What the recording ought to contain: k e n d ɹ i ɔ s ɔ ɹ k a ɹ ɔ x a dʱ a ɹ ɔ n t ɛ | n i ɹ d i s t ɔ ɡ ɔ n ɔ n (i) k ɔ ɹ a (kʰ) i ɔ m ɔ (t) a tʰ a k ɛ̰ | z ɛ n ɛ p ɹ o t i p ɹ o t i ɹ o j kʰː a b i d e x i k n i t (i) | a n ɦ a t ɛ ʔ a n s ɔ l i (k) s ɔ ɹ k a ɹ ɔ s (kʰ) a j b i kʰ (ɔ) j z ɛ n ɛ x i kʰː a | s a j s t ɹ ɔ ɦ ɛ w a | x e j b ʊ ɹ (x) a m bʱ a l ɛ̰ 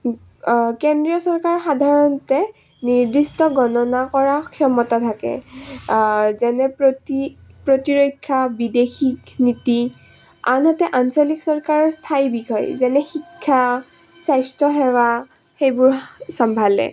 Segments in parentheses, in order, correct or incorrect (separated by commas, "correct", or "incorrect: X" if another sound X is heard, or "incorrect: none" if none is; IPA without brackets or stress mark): incorrect: a, correct, correct, correct, correct, incorrect: tʰ, correct, incorrect: s